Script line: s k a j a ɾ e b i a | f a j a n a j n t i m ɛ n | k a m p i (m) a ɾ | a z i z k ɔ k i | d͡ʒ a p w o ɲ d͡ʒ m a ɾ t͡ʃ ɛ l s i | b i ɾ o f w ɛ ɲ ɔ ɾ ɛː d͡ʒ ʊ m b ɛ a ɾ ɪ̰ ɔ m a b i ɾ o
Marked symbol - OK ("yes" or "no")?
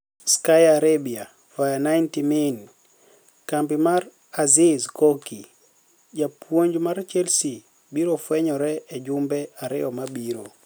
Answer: yes